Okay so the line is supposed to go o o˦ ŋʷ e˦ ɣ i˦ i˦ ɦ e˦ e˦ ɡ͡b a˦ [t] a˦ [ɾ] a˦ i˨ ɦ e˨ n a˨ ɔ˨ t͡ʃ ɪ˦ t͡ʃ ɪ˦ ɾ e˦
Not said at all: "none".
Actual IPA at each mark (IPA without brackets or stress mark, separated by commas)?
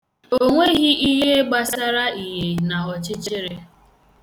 s, ɾ